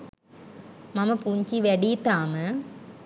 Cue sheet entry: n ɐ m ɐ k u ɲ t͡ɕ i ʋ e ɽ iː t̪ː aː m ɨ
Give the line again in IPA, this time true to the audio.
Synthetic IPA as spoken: m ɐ m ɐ p u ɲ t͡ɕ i ʋ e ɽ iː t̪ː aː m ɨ